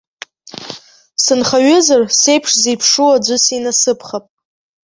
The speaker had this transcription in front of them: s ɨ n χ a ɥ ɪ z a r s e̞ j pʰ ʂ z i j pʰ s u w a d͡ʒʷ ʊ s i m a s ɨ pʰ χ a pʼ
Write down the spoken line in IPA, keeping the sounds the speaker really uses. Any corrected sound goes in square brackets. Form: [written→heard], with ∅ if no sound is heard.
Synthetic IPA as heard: s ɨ n χ a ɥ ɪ z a r s e̞ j pʰ ʂ z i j pʰ [s→ʂ] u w a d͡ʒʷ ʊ s i [m→n] a s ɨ pʰ χ a pʼ